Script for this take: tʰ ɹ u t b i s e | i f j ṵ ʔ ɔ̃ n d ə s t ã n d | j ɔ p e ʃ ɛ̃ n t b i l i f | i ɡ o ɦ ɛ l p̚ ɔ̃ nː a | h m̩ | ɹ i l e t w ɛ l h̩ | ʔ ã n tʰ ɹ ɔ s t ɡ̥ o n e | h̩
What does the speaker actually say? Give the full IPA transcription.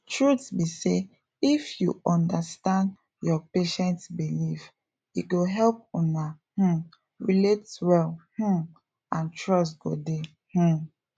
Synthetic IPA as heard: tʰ ɹ u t b i s e | i f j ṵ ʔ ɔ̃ n d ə s t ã n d | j ɔ p e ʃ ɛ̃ n t b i l i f | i ɡ o ɦ ɛ l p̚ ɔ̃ n a | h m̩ | ɹ i l e t w ɛ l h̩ | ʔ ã n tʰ ɹ ɔ s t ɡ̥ o d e | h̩

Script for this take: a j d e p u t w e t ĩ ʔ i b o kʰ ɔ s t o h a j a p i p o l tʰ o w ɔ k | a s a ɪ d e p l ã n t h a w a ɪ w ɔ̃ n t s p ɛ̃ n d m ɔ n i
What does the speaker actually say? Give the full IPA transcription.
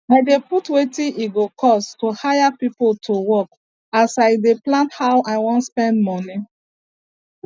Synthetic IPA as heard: a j d e p u t w e t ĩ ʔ i ɡ o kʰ ɔ s t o h a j a p i p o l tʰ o w ɔ k | a s a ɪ d e p l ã n t h a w a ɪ w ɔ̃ n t s p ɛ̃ n d m ɔ n i

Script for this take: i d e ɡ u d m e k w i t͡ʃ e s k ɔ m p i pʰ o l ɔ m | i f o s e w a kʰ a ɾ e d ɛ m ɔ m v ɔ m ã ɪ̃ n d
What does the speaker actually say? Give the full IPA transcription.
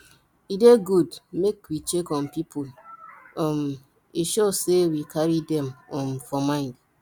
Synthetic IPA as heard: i d e ɡ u d m e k w i t͡ʃ e k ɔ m p i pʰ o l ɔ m | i ʃ o s e w i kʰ a ɾ i d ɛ m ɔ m f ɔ m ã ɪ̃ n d

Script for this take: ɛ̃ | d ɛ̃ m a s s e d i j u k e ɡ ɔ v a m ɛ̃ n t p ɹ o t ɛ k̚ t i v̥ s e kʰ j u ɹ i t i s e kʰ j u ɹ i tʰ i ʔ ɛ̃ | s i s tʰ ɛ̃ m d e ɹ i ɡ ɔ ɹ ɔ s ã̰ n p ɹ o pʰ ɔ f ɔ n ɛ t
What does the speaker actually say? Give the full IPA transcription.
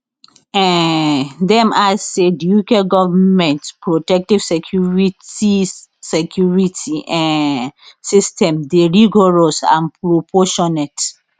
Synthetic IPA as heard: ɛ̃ | d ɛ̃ m a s s e d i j u k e ɡ ɔ v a m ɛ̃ n t p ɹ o t ɛ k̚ t i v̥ s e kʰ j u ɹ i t i s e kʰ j u ɹ i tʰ i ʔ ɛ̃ | s i s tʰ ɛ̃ m d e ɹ i ɡ ɔ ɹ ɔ s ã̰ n p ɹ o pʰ ɔ ʃ ɔ n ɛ t

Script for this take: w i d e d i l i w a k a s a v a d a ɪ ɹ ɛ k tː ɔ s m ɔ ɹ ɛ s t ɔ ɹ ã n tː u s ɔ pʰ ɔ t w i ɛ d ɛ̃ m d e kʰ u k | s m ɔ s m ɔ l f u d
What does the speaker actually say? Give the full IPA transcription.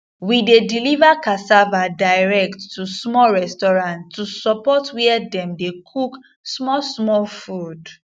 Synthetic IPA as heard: w i d e d i l i v a k a s a v a d a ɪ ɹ ɛ k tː u s m ɔ ɹ ɛ s t ɔ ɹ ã n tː u s ɔ p ɔ t w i ɛ d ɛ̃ m d e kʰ u k | s m ɔ s m ɔ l f u d

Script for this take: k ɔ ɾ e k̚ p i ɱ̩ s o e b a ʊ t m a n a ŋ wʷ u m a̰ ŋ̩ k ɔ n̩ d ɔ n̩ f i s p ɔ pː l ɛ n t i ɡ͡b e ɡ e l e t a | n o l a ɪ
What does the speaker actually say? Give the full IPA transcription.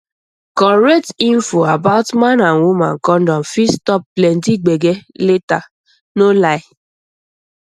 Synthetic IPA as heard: k ɔ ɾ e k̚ t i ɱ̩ f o a b a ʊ t m a n a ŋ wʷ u m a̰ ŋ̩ k ɔ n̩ d ɔ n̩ f i s t ɔ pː l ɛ n t i ɡ͡b e ɡ e l e t a | n o l a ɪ

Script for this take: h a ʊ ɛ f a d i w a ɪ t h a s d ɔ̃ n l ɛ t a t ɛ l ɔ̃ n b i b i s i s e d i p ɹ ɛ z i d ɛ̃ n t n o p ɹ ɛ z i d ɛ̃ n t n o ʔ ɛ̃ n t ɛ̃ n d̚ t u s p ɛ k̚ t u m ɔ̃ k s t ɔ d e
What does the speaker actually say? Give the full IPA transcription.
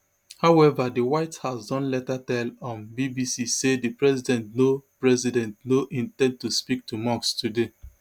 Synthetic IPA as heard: h a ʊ ɛ v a d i w a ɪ t h a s d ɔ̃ n l ɛ t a t ɛ l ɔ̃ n b i b i s i s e d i p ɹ ɛ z i d ɛ̃ n t n o p ɹ ɛ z i d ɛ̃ n t n o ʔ ĩ n t ɛ̃ n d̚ t u s p i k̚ t u m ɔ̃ k s t u d e

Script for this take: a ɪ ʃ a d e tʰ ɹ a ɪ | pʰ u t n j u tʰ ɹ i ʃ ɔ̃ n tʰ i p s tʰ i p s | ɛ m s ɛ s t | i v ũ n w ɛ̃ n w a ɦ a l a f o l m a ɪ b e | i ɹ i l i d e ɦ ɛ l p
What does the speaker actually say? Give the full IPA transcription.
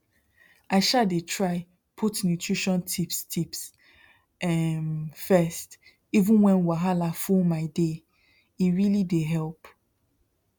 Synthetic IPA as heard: a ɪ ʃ a d e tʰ ɹ a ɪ | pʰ u t n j u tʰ ɹ i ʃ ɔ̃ n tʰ i p s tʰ i p s | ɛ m f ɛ s t | i v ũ n w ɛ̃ n w a ɦ a l a f u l m a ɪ d e | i ɹ i l i d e ɦ ɛ l p

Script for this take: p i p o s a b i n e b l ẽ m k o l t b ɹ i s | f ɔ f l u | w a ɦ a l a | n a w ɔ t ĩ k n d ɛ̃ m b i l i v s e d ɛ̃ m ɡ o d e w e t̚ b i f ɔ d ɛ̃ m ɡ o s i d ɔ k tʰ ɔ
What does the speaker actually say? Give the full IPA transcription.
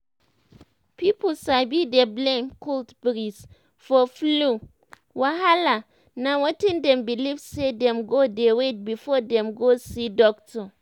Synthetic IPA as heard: p i p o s a b i d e b l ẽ m k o l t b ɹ i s | f ɔ f l u | w a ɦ a l a | n a w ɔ t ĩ n d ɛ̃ m b i l i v s e d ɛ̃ m ɡ o d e w e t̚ b i f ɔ d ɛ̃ m ɡ o s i d ɔ k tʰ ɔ

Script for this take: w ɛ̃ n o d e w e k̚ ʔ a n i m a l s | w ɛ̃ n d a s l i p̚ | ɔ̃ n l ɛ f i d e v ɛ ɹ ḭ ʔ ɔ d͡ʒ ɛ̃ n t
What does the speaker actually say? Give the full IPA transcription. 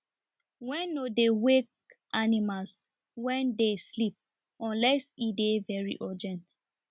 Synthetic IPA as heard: w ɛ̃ n o d e w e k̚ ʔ a n i m a l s | w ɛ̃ n d e s l i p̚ | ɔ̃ n l ɛ s i d e v ɛ ɹ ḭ ʔ ɔ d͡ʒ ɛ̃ n t

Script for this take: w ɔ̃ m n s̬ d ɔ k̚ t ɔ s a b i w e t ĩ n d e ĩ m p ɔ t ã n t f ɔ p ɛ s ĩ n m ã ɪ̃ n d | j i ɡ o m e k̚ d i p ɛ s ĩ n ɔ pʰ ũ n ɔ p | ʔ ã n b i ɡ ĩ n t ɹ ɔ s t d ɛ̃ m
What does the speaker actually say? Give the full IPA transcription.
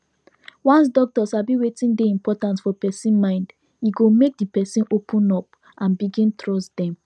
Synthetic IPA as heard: w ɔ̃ n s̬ d ɔ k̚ t ɔ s a b i w e t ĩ n d e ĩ m p ɔ t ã n t f ɔ p ɛ s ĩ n m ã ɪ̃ n d | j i ɡ o m e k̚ d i p ɛ s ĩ n o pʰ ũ n ɔ p | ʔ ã n b i ɡ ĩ n t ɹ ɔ s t d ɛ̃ m

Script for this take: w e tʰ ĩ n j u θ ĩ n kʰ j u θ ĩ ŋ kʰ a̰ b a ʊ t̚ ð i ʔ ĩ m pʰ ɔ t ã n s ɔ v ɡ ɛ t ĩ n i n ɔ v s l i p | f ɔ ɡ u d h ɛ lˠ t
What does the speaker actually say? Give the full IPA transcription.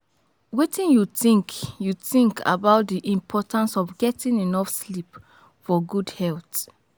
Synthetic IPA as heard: w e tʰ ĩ n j u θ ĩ ŋ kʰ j u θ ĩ ŋ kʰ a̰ b a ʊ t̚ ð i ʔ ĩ m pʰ ɔ t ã n s ɔ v ɡ ɛ t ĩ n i n ɔ f s l i p | f ɔ ɡ u d h ɛ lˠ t

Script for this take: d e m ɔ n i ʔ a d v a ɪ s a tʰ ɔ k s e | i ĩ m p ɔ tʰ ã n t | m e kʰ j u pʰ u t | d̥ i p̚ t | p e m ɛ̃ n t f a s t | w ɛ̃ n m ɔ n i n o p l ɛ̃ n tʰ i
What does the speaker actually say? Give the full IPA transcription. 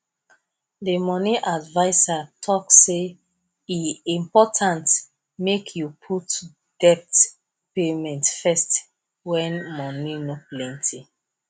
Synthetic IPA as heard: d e m ɔ n i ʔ a d v a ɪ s a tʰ ɔ k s e | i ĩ m p ɔ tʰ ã n t | m e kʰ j u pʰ u t | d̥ ɛ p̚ t | p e m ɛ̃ n t f ɛ s t | w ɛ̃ n m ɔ n i n o p l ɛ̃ n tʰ i

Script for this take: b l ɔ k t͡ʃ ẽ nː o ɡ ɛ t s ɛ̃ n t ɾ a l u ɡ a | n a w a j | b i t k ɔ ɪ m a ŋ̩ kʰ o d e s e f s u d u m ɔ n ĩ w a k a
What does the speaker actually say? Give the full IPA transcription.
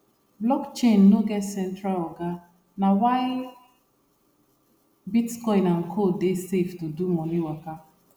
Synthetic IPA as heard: b l ɔ k t͡ʃ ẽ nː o ɡ ɛ t s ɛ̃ n t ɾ a l ɔ ɡ a | n a w a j | b i t k ɔ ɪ n a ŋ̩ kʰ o d e s e f t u d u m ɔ n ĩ w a k a

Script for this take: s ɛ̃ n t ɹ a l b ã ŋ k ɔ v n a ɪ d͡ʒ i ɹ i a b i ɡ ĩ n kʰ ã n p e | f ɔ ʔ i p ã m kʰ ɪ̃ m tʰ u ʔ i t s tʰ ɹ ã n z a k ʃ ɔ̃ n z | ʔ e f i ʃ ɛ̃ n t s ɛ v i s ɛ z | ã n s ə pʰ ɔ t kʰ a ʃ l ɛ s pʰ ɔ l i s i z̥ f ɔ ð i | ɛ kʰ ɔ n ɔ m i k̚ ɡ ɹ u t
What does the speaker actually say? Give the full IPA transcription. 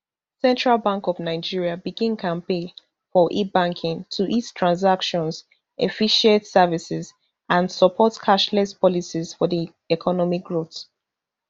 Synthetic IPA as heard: s ɛ̃ n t ɹ a l b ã ŋ k ɔ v n a ɪ d͡ʒ i ɹ i a b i ɡ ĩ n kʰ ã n p e | f ɔ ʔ i b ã ŋ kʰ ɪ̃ ŋ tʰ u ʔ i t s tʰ ɹ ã n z a k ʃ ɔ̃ n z | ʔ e f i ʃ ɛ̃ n t s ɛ v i s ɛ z | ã n s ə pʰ ɔ t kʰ a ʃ l ɛ s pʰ ɔ l i s i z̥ f ɔ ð i | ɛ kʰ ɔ n ɔ m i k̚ ɡ ɹ o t

